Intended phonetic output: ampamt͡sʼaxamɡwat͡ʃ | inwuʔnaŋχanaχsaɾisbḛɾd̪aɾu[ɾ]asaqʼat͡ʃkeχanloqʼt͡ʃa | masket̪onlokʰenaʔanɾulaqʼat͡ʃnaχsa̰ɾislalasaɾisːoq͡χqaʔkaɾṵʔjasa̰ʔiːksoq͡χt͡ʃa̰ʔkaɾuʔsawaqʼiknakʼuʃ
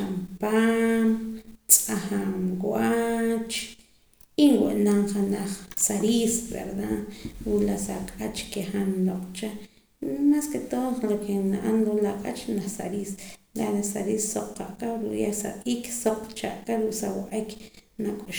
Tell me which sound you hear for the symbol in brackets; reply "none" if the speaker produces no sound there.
l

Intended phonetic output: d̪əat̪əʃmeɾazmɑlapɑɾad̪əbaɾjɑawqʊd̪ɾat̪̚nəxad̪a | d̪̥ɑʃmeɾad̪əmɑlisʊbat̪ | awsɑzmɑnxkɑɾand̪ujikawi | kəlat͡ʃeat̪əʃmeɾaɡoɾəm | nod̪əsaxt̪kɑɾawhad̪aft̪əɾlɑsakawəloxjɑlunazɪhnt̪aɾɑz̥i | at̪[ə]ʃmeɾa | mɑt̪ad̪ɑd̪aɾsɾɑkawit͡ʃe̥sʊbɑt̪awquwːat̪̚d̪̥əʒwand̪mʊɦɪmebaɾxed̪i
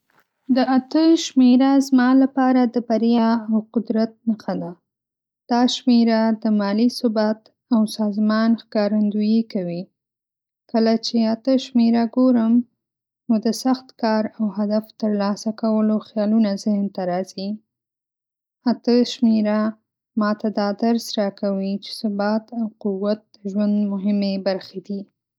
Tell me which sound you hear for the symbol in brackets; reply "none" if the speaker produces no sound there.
ə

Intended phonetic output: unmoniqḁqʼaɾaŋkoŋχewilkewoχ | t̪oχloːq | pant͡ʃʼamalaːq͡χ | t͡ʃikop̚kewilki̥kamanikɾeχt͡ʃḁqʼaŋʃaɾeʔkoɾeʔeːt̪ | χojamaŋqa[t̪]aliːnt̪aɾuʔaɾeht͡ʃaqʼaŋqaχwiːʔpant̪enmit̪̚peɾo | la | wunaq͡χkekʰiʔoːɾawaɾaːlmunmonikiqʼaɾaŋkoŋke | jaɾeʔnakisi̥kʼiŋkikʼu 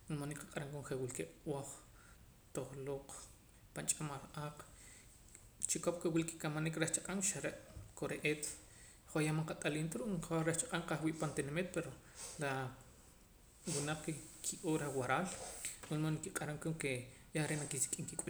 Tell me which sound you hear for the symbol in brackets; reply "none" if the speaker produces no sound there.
t̪ʼ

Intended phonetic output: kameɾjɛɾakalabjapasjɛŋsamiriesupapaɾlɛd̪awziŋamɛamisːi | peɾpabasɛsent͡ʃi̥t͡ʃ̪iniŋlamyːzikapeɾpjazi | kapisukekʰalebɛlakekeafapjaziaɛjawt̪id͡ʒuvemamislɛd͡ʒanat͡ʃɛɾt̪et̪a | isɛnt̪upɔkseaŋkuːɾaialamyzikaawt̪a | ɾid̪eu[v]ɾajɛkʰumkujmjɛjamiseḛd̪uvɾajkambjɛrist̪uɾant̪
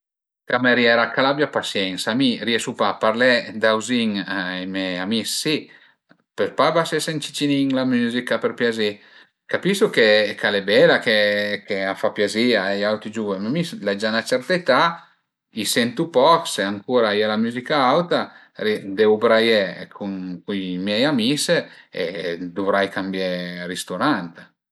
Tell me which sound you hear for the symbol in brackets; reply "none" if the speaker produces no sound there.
b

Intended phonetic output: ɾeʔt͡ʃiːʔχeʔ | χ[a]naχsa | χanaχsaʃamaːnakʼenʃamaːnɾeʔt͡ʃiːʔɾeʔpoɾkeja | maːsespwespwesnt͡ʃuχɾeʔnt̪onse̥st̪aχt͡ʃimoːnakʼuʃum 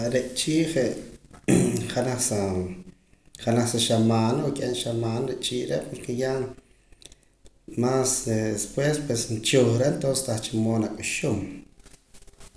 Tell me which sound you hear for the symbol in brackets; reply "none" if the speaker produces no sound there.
a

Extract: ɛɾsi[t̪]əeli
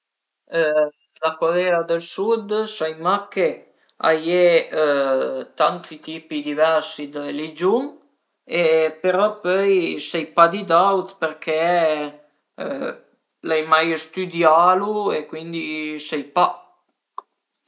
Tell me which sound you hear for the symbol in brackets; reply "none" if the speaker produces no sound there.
d̪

